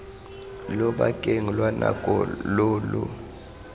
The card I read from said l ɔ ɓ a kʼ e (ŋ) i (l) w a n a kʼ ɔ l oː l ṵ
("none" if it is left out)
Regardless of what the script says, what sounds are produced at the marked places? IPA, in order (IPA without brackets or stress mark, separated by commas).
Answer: ŋ, l